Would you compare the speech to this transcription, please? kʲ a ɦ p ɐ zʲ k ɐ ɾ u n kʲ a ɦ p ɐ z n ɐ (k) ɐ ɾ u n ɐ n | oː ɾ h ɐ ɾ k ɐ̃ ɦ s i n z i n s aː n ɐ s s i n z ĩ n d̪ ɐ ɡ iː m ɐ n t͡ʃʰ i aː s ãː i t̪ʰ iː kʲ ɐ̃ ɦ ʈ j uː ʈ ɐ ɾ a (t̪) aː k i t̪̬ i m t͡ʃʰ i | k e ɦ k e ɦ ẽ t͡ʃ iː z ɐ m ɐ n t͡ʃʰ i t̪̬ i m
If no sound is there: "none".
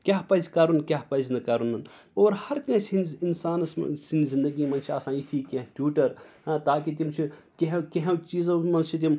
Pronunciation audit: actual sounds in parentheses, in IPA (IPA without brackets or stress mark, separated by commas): k, t̪